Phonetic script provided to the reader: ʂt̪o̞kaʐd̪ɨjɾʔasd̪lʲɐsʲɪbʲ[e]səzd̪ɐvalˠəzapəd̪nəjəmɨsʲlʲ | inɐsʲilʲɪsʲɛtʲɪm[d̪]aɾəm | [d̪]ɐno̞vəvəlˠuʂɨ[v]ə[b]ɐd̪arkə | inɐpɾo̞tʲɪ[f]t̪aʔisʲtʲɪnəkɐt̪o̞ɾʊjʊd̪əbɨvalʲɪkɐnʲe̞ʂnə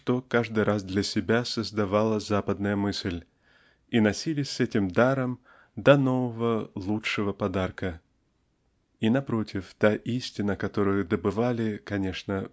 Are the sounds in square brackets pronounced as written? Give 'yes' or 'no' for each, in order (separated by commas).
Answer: no, yes, yes, yes, no, yes